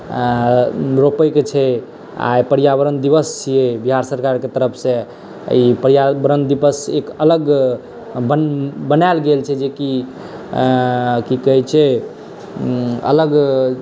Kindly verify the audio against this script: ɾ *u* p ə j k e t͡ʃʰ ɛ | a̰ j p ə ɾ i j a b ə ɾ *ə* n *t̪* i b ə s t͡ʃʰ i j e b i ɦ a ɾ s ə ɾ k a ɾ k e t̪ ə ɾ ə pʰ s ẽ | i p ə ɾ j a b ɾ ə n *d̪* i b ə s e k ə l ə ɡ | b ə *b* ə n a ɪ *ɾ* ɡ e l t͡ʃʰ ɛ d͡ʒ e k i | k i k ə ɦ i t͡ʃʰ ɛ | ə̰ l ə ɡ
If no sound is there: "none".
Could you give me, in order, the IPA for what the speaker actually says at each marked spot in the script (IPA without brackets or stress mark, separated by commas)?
o, ə, d̪, d̪, b, l